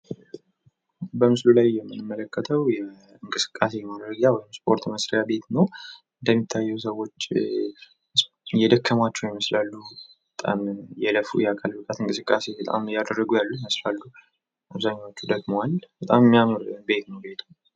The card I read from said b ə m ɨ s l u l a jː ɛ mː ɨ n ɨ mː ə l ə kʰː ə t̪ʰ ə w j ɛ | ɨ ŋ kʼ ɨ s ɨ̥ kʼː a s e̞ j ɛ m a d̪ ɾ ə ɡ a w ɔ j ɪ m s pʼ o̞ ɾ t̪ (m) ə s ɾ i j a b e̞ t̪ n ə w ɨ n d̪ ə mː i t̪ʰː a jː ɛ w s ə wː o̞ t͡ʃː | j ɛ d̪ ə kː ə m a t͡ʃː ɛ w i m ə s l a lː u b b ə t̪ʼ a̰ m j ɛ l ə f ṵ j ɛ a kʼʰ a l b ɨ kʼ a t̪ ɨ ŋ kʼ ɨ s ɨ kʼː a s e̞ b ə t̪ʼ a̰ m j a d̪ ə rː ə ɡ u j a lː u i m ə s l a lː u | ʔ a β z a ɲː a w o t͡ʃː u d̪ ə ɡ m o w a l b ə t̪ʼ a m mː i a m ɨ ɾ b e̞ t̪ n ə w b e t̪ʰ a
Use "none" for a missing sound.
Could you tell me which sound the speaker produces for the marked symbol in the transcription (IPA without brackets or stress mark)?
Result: m